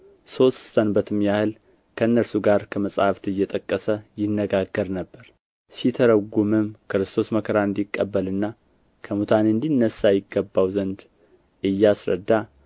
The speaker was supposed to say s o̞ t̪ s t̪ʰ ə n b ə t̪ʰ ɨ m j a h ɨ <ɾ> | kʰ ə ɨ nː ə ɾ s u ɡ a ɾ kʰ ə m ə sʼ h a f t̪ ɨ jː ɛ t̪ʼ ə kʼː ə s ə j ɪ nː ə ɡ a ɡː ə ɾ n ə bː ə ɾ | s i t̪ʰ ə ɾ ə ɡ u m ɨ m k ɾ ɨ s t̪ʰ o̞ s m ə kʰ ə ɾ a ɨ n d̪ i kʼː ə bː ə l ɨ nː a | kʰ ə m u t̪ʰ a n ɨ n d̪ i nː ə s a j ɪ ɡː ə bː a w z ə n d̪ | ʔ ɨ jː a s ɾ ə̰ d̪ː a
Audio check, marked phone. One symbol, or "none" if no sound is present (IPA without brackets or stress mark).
l